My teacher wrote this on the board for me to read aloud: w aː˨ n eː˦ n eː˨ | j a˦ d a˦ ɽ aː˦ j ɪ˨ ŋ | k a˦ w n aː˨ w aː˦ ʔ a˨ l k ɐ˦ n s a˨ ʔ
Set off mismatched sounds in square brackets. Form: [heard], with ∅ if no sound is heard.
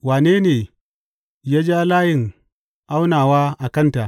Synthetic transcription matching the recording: w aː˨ n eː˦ n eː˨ | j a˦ [d͡ʒ] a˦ [l] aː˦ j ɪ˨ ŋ | [ʔ] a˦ w n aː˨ w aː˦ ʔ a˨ [∅] k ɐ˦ n [t] a˨ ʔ